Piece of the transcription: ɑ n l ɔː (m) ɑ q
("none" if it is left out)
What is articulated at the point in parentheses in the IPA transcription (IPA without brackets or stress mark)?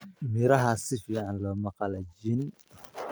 m